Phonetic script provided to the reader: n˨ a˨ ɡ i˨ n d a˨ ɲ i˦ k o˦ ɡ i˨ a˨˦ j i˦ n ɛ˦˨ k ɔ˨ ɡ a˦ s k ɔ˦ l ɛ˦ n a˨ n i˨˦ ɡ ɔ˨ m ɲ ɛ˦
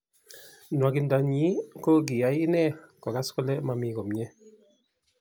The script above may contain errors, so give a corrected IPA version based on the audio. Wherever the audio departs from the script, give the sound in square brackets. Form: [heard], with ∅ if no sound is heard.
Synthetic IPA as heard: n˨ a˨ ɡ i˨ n d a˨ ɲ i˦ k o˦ ɡ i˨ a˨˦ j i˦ n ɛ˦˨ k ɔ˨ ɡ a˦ s k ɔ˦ l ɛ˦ [m] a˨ [m] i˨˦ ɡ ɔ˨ m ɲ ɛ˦